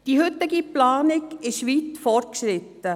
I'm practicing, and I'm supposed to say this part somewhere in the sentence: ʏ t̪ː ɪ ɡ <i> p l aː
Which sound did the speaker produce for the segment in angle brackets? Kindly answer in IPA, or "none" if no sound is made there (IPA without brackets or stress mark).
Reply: i